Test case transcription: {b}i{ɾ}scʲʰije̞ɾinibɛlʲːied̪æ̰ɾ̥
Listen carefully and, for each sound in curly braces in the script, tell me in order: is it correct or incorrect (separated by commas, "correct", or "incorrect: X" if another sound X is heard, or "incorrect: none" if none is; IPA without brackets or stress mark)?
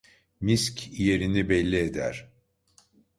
incorrect: m, incorrect: none